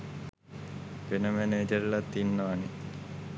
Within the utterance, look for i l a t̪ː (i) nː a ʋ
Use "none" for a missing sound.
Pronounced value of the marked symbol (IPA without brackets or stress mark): i